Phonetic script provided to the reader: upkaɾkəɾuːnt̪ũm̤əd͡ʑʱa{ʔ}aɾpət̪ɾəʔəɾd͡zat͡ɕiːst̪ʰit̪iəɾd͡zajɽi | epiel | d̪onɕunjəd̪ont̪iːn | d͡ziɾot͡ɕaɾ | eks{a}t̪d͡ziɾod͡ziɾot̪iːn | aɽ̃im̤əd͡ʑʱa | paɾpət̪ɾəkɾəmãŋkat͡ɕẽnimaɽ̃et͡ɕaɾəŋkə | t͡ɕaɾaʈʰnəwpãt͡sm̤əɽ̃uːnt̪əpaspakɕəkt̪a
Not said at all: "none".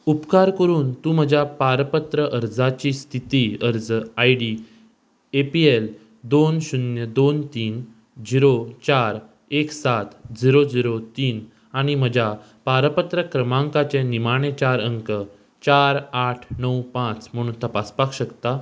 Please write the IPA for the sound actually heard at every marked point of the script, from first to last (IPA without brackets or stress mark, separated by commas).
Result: p, a